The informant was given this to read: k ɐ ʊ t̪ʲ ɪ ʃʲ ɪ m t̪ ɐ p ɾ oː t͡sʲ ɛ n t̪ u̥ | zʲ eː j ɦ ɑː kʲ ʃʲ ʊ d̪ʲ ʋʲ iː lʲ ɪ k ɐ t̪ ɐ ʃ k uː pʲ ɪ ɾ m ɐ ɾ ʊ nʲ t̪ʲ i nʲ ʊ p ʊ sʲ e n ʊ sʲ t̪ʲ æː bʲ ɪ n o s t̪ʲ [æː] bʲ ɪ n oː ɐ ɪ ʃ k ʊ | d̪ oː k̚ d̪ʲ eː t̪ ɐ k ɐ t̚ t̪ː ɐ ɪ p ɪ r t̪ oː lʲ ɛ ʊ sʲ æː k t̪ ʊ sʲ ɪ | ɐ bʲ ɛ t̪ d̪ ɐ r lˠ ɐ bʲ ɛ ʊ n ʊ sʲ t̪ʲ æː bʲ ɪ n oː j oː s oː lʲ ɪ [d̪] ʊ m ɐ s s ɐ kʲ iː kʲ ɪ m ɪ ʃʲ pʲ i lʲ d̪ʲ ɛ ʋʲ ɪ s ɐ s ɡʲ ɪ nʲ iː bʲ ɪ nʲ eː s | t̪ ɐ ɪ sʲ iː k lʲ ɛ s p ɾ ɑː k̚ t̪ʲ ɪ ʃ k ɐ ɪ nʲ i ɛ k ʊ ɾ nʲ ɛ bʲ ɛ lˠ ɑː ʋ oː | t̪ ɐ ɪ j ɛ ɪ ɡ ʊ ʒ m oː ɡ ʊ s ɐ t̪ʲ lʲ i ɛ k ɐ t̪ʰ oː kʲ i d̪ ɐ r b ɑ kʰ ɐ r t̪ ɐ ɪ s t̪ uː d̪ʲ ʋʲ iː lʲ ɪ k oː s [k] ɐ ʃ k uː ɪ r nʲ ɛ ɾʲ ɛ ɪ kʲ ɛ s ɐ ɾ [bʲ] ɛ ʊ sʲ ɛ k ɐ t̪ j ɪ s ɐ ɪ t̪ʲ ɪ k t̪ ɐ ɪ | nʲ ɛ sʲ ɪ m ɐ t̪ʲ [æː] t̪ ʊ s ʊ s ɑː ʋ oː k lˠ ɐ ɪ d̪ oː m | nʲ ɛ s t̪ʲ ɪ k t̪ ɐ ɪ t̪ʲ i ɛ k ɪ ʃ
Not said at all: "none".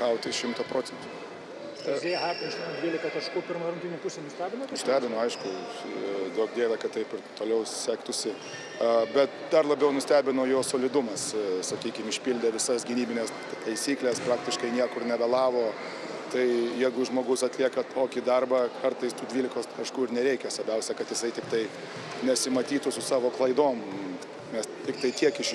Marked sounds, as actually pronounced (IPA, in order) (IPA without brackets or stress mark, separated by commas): æː, d̪, k, bʲ, iː